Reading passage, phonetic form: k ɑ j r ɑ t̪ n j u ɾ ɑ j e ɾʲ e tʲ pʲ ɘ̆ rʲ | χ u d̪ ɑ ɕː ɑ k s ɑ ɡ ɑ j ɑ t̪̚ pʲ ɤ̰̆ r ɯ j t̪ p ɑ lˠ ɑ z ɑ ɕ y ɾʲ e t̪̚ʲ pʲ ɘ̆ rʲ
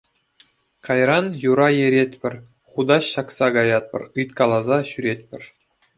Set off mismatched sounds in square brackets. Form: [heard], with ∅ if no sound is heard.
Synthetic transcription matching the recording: k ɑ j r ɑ [∅] n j u ɾ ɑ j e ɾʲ e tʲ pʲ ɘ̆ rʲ | χ u d̪ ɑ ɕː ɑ k s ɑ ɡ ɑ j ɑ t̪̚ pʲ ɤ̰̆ r ɯ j t̪ [k] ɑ lˠ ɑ z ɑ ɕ y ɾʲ e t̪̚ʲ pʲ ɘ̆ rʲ